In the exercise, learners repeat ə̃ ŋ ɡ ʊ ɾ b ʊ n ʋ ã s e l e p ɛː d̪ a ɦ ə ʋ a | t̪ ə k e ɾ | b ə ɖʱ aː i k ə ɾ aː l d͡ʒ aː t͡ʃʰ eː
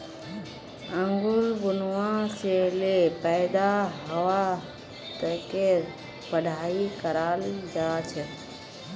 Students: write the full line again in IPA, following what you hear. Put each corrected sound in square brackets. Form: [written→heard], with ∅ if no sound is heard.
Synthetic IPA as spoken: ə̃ ŋ ɡ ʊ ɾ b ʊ n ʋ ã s e l e p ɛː d̪ a ɦ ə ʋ a | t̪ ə k e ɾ | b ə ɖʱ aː i k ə ɾ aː l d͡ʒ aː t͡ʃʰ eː